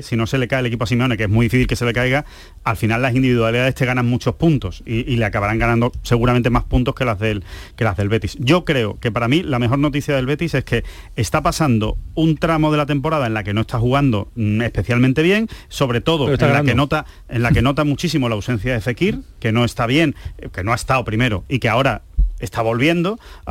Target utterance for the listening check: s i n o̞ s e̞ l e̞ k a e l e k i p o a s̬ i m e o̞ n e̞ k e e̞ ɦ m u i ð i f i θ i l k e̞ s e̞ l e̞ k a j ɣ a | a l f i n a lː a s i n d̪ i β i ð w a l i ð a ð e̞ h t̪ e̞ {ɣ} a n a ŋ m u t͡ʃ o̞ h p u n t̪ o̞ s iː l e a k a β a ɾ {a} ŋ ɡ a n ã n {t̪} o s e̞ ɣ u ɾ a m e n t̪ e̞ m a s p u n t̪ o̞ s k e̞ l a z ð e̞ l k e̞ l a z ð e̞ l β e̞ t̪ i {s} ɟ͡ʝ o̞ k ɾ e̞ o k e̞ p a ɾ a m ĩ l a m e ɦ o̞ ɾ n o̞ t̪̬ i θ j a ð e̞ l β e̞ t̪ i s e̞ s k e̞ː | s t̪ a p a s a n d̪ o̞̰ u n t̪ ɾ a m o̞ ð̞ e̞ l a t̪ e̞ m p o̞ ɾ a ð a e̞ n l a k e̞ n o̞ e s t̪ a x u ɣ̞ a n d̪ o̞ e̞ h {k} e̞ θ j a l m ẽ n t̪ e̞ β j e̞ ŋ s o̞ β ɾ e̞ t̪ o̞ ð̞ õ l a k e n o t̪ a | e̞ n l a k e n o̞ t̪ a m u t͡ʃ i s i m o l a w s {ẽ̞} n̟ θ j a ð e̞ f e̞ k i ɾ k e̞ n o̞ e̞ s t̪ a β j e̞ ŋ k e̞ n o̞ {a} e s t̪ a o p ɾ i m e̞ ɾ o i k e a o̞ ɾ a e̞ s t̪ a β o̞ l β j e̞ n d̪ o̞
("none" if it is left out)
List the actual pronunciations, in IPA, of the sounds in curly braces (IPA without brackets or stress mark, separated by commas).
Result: ɣ, a, d̪, s, p, e̞, a